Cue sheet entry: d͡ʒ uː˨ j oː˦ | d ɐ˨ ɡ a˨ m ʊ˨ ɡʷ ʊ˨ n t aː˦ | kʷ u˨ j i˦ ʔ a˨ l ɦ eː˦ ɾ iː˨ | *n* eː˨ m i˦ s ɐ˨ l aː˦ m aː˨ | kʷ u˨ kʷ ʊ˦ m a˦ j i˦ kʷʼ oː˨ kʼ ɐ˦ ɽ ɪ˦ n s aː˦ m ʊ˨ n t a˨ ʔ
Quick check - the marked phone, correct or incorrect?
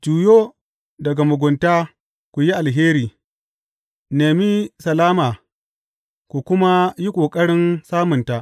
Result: correct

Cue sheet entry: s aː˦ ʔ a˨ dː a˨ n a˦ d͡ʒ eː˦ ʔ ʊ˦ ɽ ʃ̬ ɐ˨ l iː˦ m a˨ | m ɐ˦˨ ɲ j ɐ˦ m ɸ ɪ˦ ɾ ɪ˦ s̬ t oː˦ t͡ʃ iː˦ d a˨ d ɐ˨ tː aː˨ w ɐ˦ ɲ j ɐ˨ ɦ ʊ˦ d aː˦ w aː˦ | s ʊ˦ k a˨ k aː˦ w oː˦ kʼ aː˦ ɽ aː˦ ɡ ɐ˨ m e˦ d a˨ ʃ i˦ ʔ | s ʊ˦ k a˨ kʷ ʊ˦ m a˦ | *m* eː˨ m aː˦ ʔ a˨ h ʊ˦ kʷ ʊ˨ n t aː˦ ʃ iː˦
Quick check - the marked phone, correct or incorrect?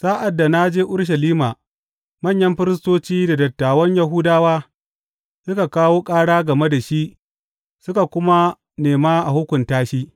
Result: incorrect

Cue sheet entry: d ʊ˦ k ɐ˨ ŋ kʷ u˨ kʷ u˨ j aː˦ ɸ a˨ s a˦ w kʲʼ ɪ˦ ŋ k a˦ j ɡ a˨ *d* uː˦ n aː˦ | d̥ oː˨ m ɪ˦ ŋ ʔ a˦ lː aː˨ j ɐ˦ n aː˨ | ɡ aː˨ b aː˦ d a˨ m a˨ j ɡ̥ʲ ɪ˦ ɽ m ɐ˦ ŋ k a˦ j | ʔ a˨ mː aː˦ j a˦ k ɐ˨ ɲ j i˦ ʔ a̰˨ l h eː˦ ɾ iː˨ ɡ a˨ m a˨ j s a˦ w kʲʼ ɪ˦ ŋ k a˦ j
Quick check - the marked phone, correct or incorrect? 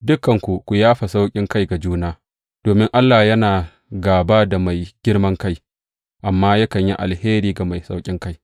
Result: incorrect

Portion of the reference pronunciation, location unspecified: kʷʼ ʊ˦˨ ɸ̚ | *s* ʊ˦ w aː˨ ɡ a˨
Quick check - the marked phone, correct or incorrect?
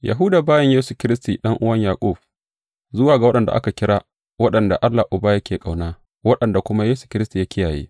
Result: incorrect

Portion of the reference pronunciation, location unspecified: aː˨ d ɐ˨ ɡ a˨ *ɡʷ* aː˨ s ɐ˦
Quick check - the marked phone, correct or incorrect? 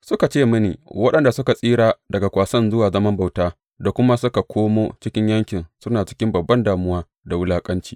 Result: incorrect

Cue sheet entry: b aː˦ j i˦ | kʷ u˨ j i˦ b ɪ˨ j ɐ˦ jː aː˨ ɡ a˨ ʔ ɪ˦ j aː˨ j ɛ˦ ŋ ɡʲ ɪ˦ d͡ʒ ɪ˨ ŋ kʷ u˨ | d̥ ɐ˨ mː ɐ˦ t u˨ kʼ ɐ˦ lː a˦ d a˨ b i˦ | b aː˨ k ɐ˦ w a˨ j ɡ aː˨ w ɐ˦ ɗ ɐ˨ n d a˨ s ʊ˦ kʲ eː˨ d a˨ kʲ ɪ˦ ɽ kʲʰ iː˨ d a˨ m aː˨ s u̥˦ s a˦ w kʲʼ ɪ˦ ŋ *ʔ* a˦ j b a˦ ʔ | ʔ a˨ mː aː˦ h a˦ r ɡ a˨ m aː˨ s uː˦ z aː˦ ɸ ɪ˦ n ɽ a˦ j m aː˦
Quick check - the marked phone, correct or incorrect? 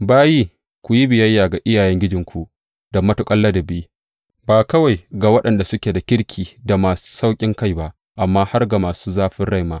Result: incorrect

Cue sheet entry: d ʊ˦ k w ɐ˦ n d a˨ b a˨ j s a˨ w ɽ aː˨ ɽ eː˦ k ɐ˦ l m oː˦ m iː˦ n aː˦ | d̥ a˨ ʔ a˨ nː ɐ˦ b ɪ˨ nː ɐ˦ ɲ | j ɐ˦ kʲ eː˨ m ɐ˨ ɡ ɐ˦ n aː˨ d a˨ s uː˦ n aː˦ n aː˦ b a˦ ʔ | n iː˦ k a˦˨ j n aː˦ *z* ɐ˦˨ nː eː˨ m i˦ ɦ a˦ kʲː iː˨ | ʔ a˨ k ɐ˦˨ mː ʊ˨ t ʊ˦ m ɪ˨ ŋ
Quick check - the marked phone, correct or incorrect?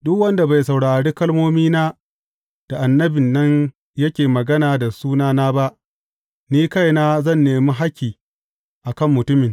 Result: correct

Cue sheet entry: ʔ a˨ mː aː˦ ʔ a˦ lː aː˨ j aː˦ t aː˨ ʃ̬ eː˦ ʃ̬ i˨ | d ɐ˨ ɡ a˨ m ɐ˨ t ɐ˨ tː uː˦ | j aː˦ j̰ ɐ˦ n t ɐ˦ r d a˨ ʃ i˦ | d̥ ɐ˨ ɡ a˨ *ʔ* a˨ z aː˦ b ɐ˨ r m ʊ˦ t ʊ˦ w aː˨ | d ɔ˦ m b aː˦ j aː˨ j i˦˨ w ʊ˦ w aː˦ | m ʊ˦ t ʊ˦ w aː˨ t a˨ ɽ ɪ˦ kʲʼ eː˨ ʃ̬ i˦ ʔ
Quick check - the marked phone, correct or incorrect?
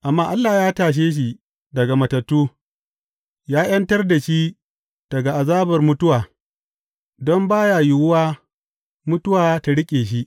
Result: correct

